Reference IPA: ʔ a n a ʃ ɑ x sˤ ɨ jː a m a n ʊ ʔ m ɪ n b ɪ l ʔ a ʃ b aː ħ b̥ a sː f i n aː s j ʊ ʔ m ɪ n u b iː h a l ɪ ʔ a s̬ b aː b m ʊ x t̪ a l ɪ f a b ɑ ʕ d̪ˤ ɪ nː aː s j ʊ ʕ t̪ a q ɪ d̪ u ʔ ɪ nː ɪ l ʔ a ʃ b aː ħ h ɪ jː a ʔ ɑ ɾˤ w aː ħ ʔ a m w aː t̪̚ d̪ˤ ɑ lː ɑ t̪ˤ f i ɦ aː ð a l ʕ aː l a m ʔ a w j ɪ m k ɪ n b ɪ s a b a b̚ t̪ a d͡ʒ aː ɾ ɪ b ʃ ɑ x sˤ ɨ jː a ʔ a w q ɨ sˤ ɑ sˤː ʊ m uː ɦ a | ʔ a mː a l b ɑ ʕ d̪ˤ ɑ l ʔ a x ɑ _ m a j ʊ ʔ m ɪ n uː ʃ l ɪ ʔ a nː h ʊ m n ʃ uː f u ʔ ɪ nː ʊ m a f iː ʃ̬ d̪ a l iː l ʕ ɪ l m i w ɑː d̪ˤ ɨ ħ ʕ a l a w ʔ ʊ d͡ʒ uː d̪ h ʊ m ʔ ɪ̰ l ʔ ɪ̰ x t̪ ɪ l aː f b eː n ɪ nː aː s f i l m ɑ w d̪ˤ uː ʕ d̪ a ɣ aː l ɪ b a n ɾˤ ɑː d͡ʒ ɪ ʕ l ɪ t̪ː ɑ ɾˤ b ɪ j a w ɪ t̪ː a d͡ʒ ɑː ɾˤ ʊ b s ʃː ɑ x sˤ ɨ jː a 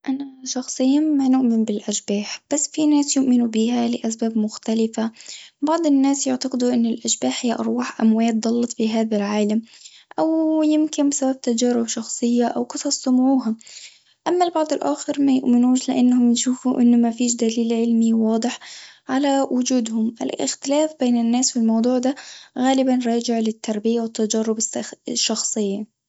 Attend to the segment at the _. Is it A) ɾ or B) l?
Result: A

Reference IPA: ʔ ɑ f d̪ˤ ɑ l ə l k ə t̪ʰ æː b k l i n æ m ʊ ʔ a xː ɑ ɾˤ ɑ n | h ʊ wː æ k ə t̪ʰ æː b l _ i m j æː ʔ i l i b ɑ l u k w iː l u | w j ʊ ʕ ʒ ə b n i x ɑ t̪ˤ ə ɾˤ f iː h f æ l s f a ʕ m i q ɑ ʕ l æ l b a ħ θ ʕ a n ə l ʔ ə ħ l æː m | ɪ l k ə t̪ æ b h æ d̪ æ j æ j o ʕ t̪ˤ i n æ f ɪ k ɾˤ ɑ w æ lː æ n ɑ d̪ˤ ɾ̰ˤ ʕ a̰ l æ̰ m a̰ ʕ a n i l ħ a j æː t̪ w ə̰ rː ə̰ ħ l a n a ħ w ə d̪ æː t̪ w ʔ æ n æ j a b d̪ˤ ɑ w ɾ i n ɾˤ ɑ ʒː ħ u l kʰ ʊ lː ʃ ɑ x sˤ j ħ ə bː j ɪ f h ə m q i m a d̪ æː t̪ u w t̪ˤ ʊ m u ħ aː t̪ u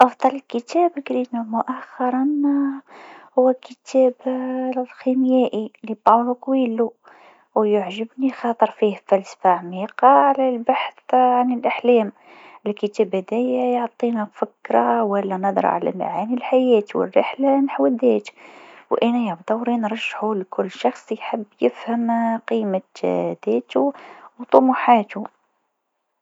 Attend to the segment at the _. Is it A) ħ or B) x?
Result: B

